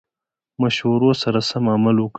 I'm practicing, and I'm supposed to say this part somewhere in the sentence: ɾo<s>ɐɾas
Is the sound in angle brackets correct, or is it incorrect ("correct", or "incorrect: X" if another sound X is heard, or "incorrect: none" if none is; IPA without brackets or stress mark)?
correct